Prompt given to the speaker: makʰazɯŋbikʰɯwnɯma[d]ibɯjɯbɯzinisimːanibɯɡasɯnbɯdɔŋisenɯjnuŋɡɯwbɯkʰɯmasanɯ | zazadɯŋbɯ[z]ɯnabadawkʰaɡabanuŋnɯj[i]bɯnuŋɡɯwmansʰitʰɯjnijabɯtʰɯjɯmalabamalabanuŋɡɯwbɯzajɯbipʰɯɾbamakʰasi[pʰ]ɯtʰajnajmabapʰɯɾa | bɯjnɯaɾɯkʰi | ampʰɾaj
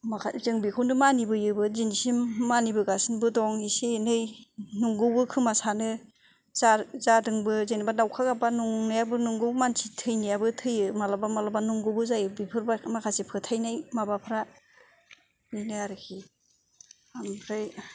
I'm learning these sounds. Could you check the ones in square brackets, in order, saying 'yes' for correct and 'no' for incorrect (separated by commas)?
no, yes, no, yes